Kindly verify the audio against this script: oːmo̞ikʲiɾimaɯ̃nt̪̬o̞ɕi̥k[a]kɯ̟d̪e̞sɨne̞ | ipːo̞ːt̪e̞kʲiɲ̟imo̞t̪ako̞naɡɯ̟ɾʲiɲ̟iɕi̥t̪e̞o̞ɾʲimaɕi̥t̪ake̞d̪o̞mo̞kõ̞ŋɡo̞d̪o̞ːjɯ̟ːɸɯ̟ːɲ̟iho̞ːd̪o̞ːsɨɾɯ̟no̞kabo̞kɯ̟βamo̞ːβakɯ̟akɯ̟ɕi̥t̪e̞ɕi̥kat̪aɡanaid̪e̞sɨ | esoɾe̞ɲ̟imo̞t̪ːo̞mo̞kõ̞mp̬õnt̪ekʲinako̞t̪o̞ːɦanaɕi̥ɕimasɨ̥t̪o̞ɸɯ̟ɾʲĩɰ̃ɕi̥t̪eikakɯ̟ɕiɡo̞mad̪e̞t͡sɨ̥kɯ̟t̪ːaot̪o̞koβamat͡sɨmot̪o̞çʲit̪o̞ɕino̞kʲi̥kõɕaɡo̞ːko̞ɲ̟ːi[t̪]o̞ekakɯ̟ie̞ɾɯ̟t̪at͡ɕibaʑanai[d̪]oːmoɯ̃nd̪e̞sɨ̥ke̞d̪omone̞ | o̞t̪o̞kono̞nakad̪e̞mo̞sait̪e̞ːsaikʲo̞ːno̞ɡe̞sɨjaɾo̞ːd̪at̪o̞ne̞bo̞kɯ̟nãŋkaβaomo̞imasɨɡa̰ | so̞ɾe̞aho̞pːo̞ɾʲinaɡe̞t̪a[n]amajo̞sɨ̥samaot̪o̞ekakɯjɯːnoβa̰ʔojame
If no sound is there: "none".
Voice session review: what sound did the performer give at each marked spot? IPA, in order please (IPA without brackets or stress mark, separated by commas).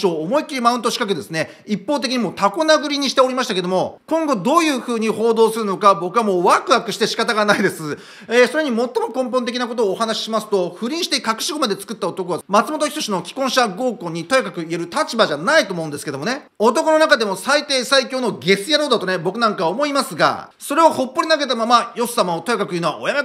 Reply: a, t̪, t̪, m